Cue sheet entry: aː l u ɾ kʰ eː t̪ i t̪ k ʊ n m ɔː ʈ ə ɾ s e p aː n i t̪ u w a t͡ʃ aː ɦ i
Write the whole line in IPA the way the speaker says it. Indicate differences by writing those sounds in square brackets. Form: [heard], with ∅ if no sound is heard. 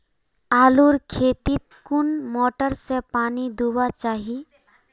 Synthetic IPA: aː l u ɾ kʰ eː t̪ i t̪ k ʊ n m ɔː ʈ ə ɾ s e p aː n i [d̪] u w a t͡ʃ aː ɦ i